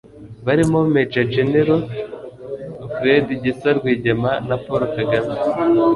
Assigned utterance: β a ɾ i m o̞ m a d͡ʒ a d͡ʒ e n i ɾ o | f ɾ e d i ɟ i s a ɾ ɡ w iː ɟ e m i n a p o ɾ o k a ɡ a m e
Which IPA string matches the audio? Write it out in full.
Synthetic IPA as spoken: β a ɾ i m o̞ m e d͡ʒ a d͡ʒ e n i ɾ o | f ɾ e d i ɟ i s a ɾ ɡ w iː ɟ e m a n a p o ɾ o k a ɡ a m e

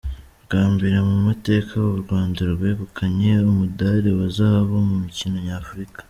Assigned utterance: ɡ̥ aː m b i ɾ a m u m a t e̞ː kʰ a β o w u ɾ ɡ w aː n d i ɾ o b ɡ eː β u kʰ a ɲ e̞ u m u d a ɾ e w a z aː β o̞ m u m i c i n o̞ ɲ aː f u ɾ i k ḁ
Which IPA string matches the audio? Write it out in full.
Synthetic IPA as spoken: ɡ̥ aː m b i ɾ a m u m a t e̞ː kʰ a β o β u ɾ ɡ w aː n d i ɾ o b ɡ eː β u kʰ a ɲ e̞ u m u d a ɾ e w a z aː β o̞ m u m i c i n o̞ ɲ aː f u ɾ i k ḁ

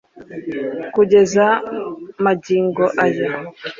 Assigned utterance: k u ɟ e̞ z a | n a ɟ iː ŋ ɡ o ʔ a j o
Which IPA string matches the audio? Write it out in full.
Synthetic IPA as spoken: k u ɟ e̞ z a | m a ɟ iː ŋ ɡ o ʔ a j o

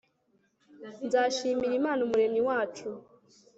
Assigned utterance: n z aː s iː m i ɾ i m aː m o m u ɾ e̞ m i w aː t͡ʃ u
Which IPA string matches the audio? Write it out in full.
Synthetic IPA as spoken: n z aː ʃ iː m i ɾ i m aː n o m u ɾ e̞ m i w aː t͡ʃ u

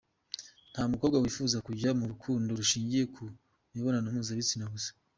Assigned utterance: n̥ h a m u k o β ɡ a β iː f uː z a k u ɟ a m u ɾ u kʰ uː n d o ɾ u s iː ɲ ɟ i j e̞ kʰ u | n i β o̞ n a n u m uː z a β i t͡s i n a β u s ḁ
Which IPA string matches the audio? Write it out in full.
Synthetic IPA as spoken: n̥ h a m u k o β ɡ a w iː f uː z a k u ɟ a m u ɾ u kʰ uː n d o ɾ u ʃ iː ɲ ɟ i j e̞ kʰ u | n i β o̞ n a n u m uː z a β i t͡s i n a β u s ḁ

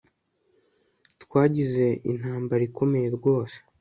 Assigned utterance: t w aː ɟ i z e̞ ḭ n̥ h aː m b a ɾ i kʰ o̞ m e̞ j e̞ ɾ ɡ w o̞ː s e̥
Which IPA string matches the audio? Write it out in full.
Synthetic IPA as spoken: t w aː ɟ i z e̞ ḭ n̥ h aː m b a ɾ i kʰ o̞ m e̞ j e̞ ɾ ɡ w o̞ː s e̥

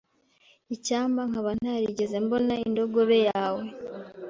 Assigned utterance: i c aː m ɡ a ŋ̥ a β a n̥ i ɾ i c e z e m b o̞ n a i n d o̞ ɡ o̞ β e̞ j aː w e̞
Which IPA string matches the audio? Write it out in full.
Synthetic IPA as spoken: i c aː m b a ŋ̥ a β a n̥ a ɾ i ɟ e z e m b o̞ n a i n d o̞ ɡ o̞ β e̞ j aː w e̞

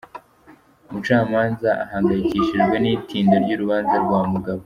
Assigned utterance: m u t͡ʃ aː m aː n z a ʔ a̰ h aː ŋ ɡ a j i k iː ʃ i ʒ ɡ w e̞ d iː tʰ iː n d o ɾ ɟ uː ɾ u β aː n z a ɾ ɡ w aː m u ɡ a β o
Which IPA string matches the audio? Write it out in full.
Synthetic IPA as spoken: m u t͡ʃ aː m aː n z a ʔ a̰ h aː ŋ ɡ a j i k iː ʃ i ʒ ɡ w e̞ n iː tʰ iː n d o ɾ ɟ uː ɾ u β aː n z a ɾ ɡ w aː m u ɡ a β o

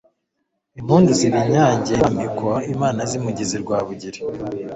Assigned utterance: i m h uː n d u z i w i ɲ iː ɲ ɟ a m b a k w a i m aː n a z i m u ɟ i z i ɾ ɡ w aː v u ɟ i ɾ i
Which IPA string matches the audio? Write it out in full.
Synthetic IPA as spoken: i m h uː n d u z i β i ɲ aː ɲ ɟ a m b i k w a i m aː n a z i m u ɟ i z i ɾ ɡ w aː β u ɟ i ɾ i

